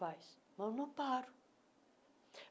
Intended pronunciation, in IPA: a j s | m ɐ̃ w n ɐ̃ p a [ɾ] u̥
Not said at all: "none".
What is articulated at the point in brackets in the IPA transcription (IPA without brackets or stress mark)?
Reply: ɾ